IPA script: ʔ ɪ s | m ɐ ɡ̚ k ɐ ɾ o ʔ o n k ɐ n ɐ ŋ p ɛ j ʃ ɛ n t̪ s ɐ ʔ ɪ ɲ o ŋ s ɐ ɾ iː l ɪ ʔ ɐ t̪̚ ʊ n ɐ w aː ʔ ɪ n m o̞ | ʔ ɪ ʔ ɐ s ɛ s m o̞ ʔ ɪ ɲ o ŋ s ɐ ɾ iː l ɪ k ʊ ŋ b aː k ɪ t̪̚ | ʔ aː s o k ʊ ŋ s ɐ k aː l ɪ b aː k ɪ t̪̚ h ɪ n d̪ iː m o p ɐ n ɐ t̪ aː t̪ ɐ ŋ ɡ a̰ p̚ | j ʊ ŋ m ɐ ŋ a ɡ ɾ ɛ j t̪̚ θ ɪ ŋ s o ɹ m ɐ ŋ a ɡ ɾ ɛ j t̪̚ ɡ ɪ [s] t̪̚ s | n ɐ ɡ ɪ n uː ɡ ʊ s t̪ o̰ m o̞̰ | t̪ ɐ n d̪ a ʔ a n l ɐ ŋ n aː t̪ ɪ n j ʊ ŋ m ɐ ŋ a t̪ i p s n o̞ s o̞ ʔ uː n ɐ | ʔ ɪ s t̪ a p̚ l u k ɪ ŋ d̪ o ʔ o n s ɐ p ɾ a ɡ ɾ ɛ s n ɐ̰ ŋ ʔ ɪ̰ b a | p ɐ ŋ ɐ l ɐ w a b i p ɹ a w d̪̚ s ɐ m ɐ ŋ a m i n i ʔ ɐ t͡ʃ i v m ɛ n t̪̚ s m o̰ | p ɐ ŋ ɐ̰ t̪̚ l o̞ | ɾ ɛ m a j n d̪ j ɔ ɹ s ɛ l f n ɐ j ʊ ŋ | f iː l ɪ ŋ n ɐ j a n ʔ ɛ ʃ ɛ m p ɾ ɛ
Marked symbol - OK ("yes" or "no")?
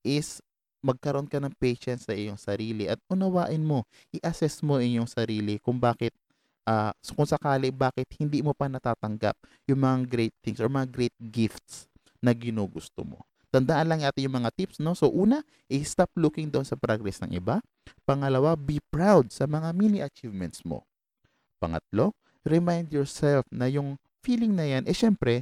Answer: no